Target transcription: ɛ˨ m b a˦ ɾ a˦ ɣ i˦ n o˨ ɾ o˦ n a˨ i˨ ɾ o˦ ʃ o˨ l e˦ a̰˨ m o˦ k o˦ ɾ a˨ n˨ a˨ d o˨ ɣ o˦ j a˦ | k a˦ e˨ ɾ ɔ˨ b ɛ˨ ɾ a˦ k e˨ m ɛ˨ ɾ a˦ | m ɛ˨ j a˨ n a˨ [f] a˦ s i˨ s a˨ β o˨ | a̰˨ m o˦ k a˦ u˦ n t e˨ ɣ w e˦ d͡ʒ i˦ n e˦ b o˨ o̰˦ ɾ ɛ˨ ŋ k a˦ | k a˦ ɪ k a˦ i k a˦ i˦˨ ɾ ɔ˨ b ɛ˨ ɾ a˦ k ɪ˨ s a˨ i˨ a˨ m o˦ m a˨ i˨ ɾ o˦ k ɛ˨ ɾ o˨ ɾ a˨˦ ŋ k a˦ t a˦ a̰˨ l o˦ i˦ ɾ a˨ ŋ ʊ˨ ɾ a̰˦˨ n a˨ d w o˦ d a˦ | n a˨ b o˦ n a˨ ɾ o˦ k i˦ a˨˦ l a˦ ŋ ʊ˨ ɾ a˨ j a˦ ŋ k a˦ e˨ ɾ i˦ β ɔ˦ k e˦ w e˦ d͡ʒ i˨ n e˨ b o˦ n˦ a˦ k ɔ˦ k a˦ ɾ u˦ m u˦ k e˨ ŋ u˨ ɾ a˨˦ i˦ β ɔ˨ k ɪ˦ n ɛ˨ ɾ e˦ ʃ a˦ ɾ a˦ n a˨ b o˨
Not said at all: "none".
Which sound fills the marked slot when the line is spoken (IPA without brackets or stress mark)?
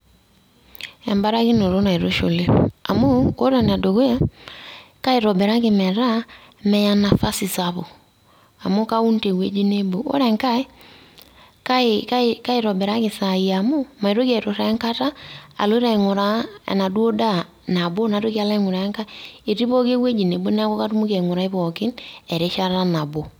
f